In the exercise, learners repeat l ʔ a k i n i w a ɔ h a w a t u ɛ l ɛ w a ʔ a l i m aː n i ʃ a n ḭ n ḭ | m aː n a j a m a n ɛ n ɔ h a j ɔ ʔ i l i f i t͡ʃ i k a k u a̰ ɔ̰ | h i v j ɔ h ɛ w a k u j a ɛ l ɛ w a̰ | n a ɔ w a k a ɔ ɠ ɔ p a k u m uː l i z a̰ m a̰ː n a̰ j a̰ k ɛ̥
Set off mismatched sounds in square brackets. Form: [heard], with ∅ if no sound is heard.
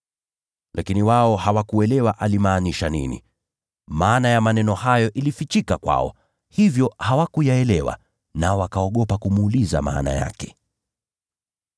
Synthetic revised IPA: l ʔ a k i n i w a ɔ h a w a [k] u ɛ l ɛ w a ʔ a l i m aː n i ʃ a n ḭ n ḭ | m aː n a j a m a n ɛ n ɔ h a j ɔ ʔ i l i f i t͡ʃ i k a k [w] a̰ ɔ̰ | h i v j ɔ h [a] w a k u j a ɛ l ɛ w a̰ | n a ɔ w a k a ɔ ɠ ɔ p a k u m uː l i z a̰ m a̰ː n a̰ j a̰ k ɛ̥